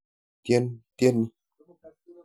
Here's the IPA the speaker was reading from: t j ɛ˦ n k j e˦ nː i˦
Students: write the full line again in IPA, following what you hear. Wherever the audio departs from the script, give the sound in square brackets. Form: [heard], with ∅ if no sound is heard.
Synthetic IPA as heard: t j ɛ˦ n [t] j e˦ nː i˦

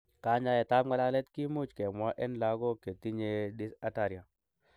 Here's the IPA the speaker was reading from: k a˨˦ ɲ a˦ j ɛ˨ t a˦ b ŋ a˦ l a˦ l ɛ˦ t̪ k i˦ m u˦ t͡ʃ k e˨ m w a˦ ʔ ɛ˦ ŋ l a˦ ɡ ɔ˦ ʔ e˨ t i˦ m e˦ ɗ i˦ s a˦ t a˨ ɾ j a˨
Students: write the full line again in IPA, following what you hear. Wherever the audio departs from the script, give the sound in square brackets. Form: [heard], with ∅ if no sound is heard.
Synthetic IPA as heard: k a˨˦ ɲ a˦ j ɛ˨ t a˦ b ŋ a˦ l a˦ l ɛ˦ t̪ k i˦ m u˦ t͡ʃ k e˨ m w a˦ ʔ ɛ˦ [n] l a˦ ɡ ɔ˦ [k] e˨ t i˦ [ɲ] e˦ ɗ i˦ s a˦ t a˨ ɾ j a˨

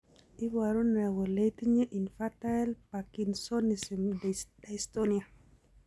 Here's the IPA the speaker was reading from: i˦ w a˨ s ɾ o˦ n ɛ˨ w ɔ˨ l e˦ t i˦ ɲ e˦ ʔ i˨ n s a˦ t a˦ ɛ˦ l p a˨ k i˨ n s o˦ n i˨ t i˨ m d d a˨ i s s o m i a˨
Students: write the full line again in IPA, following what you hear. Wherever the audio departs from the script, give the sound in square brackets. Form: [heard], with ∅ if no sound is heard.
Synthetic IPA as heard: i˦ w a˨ [∅] ɾ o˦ n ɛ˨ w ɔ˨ l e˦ t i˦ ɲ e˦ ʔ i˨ n [f] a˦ t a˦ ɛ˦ l p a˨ k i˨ n s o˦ n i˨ [s] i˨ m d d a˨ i s [t] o [n] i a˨

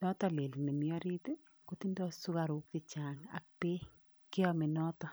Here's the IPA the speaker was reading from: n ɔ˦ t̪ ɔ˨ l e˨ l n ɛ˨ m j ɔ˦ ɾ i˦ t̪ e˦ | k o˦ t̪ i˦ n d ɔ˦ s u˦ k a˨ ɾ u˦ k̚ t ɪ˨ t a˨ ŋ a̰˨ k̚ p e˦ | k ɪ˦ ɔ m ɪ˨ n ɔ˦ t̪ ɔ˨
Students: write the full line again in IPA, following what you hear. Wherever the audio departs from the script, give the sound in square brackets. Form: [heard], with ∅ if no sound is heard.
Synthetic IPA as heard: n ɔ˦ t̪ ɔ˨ l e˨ l n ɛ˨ m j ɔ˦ ɾ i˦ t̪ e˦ | k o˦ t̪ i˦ n d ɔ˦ s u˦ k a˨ ɾ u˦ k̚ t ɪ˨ [t͡ʃ] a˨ ŋ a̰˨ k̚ p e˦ | k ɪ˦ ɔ m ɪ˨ n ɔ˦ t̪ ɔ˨

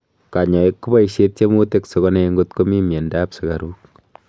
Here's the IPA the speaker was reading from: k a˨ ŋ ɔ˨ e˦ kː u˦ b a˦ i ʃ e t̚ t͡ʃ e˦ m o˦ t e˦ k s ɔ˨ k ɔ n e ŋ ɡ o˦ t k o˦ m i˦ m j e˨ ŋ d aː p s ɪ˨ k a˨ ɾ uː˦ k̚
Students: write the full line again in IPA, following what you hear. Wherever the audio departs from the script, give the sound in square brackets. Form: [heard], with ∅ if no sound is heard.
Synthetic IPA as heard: k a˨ [ɲ] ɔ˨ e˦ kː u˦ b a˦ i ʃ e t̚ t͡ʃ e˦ m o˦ t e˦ k s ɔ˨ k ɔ n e ŋ ɡ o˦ t k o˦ m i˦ m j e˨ [n] d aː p s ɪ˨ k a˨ ɾ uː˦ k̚

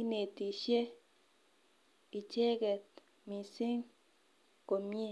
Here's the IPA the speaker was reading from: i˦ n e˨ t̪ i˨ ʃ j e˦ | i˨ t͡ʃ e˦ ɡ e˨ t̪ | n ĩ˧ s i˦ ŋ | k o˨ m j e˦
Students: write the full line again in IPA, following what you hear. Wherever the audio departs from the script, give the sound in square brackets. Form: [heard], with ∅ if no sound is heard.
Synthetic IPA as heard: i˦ n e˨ t̪ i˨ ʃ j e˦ | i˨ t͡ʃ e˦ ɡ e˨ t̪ | [m] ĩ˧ s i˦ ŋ | k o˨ m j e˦

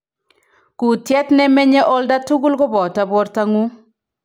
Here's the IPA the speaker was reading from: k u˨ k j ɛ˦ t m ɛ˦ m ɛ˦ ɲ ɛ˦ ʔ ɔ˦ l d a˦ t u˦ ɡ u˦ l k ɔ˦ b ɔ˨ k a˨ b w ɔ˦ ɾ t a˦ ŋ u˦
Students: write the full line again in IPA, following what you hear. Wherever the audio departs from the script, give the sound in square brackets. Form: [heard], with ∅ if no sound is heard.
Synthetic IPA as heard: k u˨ [t] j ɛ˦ t [n] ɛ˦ m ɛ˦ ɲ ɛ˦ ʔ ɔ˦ l d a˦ t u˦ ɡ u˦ l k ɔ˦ b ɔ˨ [t] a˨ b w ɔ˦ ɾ t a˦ ŋ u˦

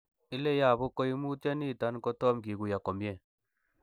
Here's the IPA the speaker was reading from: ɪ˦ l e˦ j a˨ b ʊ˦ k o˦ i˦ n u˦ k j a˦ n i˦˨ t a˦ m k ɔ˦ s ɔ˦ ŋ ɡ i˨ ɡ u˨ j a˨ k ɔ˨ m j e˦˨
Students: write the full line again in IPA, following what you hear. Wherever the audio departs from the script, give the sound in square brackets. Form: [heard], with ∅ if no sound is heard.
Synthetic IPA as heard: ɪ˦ l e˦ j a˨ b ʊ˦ k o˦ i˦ [m] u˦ [t] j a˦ n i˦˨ t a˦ [n] k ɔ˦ [t] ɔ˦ [m] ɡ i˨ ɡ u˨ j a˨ k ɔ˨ m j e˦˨

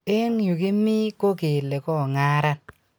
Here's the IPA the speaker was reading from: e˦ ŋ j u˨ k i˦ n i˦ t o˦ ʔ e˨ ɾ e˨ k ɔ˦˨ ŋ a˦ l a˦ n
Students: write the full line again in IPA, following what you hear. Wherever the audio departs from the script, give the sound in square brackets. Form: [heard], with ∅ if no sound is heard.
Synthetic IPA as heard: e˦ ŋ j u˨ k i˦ [m] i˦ [k] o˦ [k] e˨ [l] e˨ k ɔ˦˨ ŋ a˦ [ɾ] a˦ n

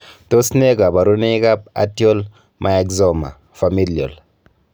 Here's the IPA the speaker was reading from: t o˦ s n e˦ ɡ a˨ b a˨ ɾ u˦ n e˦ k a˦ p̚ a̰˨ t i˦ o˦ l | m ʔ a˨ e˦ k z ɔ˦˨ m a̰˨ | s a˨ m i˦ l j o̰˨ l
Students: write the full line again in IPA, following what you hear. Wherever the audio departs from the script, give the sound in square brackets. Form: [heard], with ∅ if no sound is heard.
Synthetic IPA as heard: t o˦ s n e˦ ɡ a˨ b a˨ ɾ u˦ n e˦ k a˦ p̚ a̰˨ t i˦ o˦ l | m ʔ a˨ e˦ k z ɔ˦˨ m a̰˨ | [f] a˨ m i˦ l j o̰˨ l

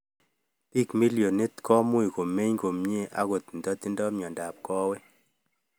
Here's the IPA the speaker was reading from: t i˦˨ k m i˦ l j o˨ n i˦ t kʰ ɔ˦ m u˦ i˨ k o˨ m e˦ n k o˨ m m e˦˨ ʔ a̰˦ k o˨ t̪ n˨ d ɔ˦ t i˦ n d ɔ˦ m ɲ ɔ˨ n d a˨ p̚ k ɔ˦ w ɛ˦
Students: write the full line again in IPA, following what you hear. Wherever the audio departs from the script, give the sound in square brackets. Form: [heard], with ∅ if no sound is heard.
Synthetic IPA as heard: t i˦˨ k m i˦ l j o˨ n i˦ t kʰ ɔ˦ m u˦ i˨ k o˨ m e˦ [ɲ] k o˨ m [ɲ] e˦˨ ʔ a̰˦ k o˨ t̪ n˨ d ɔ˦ t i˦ n d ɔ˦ m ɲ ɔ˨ n d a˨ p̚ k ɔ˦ w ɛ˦

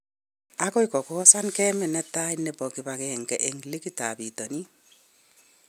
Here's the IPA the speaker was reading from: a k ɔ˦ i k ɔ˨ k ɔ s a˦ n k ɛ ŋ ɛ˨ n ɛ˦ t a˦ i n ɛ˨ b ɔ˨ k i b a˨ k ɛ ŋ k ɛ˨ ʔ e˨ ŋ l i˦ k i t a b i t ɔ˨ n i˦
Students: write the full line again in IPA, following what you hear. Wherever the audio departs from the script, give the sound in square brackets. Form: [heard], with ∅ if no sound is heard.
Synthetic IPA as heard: a k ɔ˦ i k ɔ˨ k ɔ s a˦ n k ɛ [m] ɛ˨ n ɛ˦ t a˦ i n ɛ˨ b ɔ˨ k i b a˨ k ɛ ŋ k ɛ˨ ʔ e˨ ŋ l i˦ k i t a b i t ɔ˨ n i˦

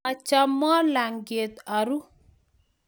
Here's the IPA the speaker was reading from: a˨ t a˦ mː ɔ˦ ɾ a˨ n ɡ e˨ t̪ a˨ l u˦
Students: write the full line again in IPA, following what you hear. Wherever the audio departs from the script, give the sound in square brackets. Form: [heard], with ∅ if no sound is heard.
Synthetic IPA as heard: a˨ [t͡ʃ] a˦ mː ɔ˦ [l] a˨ [ŋ] ɡ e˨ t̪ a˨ [ɾ] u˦

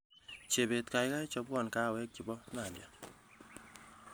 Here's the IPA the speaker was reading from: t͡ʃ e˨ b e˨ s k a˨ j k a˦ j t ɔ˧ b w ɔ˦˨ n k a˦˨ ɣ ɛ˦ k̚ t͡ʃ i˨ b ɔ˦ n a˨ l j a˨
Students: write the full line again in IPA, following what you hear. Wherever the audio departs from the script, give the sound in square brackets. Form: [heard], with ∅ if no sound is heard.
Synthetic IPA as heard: t͡ʃ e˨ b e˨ [t] k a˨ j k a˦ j [t͡ʃ] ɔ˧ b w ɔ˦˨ n k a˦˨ [w] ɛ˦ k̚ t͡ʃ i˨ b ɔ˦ n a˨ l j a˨

